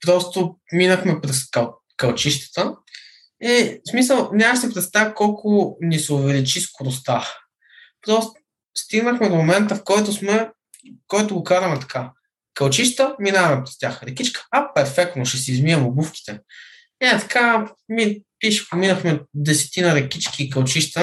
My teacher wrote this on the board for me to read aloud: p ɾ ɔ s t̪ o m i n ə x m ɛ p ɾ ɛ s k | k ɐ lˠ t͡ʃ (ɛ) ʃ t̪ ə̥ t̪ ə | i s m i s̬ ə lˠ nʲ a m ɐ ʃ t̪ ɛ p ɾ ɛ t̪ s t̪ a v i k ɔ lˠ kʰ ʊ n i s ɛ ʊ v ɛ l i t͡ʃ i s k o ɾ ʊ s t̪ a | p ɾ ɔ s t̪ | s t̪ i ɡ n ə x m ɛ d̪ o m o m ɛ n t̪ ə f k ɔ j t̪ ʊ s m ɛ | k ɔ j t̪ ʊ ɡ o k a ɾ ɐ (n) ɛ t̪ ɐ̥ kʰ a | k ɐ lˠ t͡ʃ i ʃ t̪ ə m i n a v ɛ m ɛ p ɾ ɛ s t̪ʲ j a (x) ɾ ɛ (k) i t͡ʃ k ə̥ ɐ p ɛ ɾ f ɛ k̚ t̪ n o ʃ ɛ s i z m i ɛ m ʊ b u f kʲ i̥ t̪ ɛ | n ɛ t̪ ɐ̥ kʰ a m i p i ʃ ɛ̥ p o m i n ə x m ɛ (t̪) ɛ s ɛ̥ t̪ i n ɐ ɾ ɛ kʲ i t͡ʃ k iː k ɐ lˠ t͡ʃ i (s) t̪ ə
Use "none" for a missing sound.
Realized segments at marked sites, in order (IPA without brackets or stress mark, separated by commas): i, m, x, k, d̪, ʃ